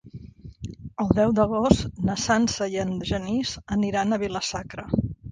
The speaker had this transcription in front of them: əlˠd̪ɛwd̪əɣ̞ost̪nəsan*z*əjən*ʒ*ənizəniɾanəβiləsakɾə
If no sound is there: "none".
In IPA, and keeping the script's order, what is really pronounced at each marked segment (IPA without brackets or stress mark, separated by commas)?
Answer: s, ʒ